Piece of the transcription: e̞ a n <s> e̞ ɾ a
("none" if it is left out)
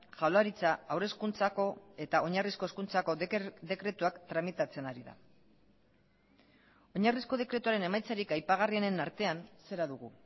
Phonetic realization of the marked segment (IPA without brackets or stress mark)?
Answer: s